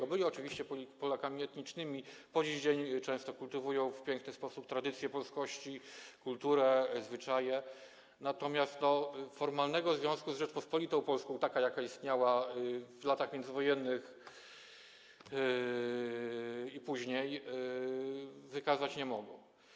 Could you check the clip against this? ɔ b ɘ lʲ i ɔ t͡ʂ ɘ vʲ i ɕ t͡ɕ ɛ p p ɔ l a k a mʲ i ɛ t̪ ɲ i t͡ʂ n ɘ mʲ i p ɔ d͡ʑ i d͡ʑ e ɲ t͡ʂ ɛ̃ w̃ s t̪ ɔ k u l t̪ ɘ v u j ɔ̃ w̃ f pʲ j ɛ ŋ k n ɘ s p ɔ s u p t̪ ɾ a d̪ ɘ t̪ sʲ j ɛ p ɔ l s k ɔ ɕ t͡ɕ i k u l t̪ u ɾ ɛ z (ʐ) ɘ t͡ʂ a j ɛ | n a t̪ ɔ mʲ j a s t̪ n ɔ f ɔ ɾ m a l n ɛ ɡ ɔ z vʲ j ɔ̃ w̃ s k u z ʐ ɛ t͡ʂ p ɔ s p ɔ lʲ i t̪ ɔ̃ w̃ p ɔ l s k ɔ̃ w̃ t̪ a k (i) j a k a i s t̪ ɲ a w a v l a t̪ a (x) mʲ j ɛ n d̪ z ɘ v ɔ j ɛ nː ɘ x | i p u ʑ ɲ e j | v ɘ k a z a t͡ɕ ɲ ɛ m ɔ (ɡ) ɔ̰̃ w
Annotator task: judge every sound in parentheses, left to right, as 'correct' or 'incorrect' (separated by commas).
incorrect, incorrect, correct, correct